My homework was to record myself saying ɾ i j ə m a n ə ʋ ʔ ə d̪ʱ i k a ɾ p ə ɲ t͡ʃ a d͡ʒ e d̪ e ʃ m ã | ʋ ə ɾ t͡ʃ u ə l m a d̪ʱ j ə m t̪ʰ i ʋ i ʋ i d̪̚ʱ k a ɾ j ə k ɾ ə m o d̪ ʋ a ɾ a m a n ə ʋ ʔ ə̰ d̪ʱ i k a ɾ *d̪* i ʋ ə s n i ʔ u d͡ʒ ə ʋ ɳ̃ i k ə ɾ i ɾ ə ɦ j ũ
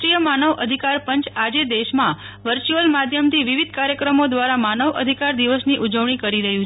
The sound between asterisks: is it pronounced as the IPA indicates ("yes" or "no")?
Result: yes